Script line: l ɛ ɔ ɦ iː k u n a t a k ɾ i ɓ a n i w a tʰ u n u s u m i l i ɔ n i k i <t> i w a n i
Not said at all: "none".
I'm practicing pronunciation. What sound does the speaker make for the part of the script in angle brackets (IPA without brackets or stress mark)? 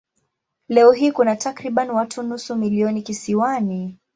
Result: s